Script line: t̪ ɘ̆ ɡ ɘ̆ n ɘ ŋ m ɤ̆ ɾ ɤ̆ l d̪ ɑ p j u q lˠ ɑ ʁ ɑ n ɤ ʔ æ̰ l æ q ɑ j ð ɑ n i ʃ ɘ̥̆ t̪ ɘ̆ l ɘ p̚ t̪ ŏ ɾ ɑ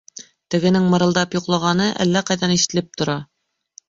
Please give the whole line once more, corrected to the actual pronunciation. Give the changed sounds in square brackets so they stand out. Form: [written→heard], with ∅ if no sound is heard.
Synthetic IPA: t̪ ɘ̆ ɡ ɘ̆ n ɘ ŋ m ɤ̆ ɾ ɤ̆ l d̪ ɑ p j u q lˠ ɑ ʁ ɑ n ɤ ʔ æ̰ [l→lː] æ q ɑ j ð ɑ n i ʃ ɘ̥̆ t̪ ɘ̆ l ɘ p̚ t̪ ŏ ɾ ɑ